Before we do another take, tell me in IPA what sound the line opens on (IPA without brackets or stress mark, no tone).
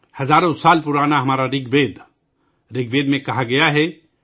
h